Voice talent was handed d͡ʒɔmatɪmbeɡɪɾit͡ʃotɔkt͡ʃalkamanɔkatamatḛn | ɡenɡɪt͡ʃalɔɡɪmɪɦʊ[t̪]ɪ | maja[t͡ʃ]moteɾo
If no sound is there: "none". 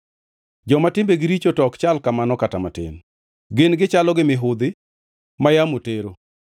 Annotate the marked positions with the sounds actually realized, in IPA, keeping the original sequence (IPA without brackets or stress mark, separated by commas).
d̪, none